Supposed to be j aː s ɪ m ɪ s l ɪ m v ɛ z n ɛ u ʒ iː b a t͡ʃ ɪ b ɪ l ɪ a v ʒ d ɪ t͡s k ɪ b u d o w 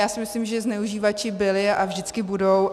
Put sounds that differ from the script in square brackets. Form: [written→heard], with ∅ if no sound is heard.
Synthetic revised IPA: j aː s ɪ m ɪ s l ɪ m [v→ʒ] ɛ z n ɛ u ʒ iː [b→v] a t͡ʃ ɪ b ɪ l ɪ a v ʒ d ɪ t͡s k ɪ b u d o w